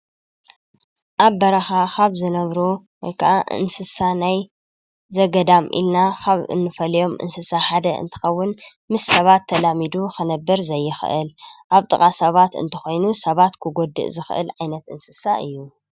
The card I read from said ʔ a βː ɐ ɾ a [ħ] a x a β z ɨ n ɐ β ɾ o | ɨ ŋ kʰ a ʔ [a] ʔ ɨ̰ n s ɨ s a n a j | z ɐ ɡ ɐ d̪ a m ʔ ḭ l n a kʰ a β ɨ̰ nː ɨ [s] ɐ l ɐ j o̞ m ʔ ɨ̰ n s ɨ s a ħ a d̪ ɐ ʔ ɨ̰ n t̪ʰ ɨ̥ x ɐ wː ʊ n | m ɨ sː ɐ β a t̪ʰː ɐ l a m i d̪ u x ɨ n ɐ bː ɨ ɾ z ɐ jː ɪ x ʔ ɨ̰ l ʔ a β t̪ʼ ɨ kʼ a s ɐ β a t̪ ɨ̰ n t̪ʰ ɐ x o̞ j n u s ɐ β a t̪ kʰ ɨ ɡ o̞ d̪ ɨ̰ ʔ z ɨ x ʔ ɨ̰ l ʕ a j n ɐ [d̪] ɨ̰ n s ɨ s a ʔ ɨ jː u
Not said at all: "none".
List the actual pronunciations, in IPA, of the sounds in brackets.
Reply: x, a, f, t̪

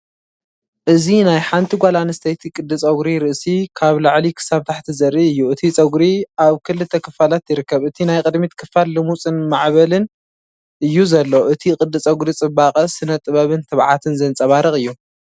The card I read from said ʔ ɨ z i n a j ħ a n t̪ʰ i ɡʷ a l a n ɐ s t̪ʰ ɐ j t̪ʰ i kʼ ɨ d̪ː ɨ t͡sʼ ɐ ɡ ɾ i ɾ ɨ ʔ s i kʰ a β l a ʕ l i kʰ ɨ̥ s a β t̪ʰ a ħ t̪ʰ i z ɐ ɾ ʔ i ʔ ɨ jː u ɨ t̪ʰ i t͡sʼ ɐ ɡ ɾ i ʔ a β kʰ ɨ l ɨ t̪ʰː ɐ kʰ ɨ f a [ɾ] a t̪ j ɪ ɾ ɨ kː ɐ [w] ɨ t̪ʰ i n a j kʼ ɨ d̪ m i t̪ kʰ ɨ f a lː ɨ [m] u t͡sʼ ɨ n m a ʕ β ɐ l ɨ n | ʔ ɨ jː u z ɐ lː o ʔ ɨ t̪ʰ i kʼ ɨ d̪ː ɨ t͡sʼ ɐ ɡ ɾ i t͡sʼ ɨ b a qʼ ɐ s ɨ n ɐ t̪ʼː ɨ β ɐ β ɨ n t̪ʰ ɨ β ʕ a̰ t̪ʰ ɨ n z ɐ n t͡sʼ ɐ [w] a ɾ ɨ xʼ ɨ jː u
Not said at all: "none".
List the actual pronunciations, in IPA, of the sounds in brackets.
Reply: l, β, m, β

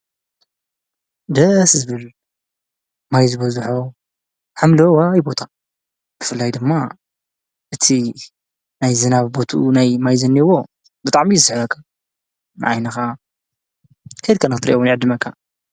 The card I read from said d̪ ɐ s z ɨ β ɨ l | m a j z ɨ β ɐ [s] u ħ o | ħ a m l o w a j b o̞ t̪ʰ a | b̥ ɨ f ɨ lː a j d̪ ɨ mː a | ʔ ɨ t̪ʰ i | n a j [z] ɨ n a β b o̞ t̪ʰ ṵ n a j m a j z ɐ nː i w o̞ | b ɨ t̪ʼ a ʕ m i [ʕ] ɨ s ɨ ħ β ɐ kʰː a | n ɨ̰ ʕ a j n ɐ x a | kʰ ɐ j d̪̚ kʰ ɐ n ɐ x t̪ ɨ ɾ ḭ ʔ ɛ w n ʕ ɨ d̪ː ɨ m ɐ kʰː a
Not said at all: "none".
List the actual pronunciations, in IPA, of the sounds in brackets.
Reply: z, z, z

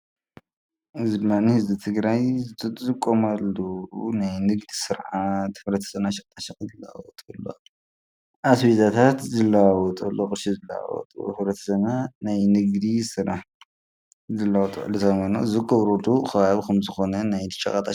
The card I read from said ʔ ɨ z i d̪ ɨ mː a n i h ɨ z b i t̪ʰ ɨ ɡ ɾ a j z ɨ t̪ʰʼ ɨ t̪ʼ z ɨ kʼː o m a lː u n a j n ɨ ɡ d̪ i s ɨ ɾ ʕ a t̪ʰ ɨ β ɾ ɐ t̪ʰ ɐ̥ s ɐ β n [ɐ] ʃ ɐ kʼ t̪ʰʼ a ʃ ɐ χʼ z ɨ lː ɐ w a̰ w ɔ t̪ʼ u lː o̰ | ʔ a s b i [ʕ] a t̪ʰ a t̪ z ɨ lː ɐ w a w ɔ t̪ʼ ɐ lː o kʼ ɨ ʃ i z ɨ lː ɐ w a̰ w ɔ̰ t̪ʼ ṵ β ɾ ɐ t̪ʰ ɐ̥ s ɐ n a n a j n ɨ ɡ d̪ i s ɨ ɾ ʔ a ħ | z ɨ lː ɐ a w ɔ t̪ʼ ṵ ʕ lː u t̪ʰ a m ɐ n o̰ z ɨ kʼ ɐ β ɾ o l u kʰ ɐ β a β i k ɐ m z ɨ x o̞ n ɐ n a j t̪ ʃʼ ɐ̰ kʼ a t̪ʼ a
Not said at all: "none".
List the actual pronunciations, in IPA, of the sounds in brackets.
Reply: a, z

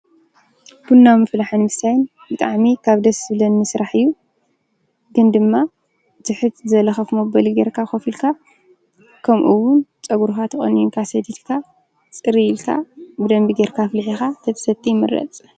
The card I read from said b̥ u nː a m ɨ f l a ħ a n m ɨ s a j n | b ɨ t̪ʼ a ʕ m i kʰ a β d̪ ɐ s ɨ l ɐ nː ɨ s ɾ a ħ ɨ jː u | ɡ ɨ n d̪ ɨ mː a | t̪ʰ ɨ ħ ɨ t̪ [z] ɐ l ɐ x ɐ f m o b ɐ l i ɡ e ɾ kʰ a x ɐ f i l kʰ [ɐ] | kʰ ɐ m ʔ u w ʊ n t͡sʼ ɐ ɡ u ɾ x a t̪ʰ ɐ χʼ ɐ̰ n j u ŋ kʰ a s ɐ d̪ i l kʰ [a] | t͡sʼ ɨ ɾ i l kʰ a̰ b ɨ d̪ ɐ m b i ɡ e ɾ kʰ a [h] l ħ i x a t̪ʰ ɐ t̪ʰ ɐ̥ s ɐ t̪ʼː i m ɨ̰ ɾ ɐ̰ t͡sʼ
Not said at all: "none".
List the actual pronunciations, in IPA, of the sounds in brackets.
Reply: z, a, a, f

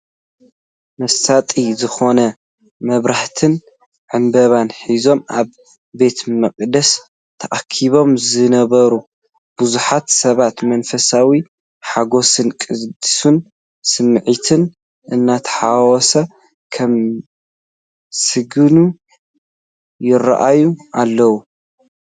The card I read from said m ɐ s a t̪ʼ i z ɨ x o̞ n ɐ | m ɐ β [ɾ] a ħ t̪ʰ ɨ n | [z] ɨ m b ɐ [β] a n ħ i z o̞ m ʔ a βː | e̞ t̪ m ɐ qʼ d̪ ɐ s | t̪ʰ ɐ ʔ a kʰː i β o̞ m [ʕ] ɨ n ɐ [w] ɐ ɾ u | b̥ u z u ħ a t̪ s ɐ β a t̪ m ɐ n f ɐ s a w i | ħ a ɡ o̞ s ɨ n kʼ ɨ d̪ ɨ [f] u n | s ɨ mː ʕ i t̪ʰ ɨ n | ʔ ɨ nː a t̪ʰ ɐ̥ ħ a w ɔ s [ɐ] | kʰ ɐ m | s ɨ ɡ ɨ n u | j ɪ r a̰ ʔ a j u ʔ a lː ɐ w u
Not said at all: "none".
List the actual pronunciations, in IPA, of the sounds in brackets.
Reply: ɾ, ʕ, β, z, β, s, ɐ

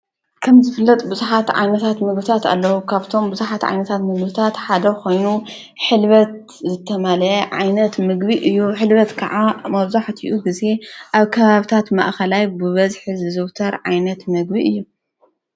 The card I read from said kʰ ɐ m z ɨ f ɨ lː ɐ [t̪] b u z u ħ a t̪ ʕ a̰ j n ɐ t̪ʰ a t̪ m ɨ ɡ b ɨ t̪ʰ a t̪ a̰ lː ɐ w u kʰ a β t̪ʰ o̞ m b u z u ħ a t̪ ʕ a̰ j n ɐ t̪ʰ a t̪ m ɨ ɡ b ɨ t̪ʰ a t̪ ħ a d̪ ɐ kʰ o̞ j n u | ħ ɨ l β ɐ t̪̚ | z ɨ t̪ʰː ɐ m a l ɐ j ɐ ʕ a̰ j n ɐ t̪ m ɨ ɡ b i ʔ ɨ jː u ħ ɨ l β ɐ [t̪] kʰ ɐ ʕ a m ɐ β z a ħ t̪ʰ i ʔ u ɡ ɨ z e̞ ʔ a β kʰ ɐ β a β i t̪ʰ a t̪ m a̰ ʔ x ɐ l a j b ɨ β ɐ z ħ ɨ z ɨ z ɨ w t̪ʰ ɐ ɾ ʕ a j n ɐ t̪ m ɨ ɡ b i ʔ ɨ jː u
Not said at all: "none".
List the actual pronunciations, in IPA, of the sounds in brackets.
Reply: t̪ʼ, t̪

